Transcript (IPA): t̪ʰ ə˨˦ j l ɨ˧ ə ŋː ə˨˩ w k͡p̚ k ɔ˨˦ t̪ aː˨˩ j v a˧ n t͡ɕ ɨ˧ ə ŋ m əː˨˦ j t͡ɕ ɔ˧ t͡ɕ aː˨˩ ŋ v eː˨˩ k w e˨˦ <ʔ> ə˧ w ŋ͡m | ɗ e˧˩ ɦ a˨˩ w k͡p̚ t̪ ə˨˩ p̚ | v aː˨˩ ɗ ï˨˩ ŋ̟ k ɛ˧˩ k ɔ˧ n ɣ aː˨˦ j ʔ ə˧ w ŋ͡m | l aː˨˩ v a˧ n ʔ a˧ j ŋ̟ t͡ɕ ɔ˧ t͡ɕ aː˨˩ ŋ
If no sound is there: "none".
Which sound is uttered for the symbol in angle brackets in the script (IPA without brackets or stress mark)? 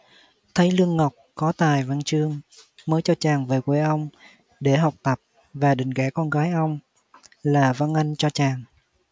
ʔ